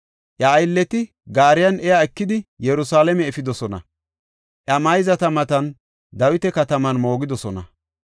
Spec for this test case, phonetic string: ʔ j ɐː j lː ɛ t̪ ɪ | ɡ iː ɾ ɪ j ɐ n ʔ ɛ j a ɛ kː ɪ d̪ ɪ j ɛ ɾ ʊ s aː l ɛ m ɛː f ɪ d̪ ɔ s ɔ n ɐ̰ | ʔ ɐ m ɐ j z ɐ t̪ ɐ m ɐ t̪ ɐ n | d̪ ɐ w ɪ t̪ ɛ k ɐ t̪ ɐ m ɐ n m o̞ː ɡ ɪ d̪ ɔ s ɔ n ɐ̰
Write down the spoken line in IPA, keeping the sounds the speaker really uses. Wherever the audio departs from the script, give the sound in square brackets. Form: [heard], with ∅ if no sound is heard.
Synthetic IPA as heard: ʔ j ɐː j lː ɛ t̪ ɪ | ɡ [aː] ɾ ɪ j ɐ n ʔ ɛ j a ɛ kː ɪ d̪ ɪ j ɛ ɾ ʊ s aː l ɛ m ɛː f ɪ d̪ ɔ s ɔ n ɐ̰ | ʔ ɐ m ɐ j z ɐ t̪ ɐ m ɐ t̪ ɐ n | d̪ ɐ w ɪ t̪ ɛ k ɐ t̪ ɐ m ɐ n m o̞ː ɡ ɪ d̪ ɔ s ɔ n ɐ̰